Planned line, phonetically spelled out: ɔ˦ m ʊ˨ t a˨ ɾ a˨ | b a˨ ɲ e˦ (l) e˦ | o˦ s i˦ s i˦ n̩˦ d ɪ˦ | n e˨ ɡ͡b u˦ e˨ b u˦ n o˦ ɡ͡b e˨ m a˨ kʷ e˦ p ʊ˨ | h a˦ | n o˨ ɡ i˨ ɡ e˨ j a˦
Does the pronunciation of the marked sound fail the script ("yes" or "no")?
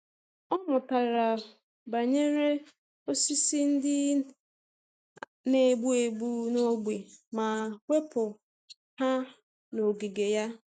yes